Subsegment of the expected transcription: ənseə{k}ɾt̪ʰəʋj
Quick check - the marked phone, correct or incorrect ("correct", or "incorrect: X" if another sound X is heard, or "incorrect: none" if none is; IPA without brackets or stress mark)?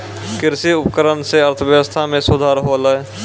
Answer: incorrect: none